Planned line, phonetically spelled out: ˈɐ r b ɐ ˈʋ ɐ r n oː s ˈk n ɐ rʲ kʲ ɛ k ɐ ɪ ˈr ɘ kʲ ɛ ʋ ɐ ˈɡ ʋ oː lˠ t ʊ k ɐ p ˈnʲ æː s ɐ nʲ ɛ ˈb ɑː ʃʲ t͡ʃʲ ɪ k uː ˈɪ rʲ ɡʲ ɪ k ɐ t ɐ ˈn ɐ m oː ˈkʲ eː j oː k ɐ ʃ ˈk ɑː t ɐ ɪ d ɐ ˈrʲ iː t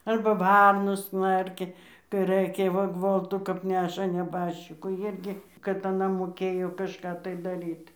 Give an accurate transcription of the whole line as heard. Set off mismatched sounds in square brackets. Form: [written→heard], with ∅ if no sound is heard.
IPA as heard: ˈɐ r b ɐ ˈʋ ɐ r n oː s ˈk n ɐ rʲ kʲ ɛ k ɐ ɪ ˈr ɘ kʲ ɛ ʋ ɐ ˈɡ ʋ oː lˠ t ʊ k ɐ p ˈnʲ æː [s→ʃ] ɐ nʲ ɛ ˈb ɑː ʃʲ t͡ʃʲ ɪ k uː ˈɪ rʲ ɡʲ ɪ k ɐ t ɐ ˈn ɐ m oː ˈkʲ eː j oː k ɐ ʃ ˈk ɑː t ɐ ɪ d ɐ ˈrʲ iː t